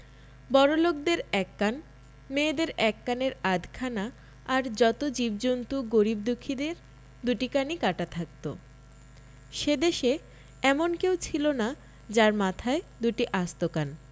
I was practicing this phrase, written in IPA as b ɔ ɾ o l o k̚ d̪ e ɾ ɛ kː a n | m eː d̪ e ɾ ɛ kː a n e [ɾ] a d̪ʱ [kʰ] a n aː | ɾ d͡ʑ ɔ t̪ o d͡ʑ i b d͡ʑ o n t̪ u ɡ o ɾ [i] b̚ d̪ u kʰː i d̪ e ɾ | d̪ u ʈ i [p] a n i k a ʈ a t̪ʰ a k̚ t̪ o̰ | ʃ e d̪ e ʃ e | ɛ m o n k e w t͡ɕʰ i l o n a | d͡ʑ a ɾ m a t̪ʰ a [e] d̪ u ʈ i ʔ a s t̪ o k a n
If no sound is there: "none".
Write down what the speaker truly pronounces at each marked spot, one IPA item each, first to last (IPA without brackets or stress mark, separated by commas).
ɾ, kʰ, i, k, e